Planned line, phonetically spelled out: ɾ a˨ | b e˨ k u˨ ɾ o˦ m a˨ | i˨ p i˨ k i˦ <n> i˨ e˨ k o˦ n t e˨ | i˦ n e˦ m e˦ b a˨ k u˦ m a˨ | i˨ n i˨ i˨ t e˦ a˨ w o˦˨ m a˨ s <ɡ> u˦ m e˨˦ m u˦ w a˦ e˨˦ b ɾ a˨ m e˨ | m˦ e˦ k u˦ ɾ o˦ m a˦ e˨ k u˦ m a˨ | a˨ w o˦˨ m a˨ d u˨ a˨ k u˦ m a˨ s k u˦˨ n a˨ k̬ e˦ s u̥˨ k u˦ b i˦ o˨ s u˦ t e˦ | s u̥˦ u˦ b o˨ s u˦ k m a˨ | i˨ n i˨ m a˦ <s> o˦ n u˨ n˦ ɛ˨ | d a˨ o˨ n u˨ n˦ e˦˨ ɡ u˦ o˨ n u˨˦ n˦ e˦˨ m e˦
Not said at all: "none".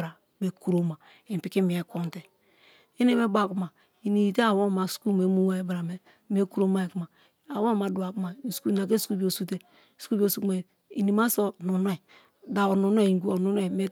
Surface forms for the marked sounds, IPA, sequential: m, k, s

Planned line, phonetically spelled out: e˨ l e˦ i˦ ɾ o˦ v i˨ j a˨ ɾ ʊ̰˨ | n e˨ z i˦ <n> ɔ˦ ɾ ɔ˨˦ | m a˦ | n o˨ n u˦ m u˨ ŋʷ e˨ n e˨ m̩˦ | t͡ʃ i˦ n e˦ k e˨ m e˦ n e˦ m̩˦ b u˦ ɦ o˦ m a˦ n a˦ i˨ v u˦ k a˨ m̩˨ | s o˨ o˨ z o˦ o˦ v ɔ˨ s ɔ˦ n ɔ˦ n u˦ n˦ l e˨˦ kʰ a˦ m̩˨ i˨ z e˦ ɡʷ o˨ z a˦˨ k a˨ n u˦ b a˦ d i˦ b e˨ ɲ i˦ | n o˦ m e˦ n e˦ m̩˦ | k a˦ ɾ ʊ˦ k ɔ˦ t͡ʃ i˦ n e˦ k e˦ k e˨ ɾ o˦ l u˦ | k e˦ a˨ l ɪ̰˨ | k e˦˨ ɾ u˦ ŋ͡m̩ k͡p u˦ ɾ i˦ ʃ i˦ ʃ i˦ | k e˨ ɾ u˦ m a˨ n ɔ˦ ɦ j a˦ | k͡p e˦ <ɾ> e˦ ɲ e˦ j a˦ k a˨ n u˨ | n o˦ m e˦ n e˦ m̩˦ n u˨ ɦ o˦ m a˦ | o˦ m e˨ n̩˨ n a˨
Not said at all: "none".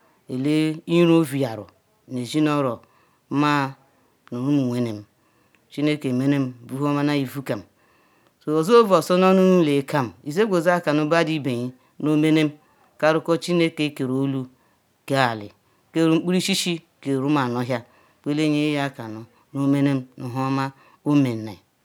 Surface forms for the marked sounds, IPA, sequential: n, l

